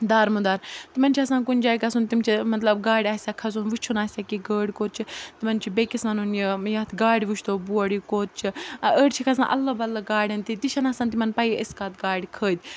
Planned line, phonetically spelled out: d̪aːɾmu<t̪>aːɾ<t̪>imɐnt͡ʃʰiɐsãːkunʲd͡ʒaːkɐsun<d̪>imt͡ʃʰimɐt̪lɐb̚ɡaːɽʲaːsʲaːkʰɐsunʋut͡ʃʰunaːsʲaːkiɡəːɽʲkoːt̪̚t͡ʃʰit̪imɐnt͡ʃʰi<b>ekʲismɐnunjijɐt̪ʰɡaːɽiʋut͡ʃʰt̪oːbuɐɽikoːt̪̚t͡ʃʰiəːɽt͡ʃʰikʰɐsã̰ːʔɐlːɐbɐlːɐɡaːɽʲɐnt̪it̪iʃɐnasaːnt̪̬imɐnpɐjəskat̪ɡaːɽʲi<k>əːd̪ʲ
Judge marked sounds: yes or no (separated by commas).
no, yes, no, yes, no